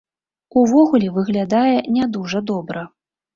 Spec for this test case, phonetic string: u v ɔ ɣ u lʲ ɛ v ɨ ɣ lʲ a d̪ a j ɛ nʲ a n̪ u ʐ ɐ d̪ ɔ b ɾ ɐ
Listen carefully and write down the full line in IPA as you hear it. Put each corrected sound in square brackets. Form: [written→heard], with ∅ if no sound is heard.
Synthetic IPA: u v ɔ ɣ u lʲ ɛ v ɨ ɣ lʲ a d̪ a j ɛ nʲ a [n̪→d̪] u ʐ ɐ d̪ ɔ b ɾ ɐ